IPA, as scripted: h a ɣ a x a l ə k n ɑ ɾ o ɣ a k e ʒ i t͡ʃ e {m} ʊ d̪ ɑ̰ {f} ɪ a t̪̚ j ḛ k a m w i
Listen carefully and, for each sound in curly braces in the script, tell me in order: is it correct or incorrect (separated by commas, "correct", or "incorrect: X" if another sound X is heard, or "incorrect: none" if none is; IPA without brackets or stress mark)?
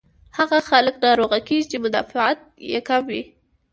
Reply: correct, correct